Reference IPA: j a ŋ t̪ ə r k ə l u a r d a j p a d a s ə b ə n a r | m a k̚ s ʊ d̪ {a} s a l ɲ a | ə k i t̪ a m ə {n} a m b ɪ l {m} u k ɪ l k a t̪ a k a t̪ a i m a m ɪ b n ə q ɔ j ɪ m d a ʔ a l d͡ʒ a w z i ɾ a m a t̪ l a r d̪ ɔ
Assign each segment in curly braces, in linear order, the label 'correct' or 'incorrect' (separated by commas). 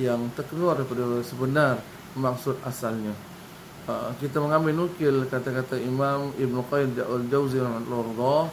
correct, incorrect, incorrect